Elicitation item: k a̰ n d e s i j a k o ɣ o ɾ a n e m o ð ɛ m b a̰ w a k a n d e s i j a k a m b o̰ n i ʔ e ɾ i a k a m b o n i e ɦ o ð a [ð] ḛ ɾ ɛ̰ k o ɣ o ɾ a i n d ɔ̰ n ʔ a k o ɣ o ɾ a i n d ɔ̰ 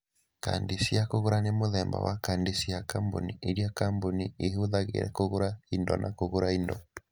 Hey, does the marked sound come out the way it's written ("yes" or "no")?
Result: no